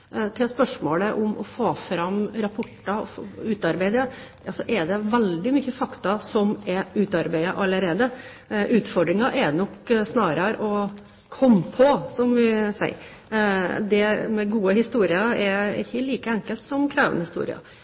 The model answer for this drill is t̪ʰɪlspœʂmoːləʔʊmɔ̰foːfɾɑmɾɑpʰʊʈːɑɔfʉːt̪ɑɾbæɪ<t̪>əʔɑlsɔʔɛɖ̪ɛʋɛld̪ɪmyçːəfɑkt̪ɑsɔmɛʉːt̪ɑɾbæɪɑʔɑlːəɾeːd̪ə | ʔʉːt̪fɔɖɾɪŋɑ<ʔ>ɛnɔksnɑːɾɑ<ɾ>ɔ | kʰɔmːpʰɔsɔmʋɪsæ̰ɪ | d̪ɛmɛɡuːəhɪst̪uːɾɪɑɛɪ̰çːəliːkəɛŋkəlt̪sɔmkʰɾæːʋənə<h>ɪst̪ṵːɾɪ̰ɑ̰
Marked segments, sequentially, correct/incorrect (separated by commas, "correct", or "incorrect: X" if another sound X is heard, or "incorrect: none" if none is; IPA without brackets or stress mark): incorrect: d̪, correct, correct, correct